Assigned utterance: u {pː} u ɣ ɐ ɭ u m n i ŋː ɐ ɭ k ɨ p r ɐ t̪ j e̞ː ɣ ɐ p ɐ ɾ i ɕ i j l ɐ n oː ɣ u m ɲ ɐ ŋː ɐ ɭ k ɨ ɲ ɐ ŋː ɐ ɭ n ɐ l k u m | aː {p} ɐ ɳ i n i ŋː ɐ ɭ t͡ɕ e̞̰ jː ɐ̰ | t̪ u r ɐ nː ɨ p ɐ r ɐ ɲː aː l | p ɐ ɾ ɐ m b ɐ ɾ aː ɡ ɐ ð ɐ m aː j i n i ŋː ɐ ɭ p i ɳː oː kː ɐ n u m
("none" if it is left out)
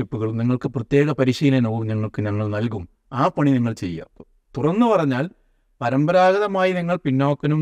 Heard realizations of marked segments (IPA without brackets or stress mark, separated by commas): pː, p